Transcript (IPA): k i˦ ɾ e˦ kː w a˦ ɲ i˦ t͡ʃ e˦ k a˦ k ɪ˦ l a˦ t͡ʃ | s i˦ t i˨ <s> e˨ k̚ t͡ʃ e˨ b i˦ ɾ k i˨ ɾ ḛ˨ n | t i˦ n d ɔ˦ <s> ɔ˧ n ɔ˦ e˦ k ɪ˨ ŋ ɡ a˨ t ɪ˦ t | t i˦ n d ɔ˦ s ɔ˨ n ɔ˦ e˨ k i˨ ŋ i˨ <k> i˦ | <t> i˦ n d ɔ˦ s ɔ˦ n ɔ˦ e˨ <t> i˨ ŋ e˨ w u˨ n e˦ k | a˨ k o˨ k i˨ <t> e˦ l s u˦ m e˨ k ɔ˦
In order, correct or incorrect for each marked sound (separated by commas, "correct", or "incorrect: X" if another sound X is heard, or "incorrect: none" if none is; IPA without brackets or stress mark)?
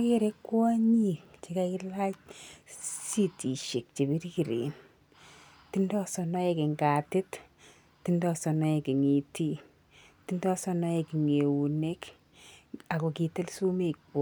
incorrect: ʃ, correct, incorrect: t, correct, incorrect: k, correct